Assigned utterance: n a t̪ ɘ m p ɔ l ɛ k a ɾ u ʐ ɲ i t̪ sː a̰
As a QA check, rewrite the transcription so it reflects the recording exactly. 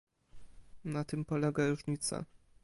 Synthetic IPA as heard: n a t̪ ɘ m p ɔ l ɛ ɡ a ɾ u ʐ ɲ i t̪ s a̰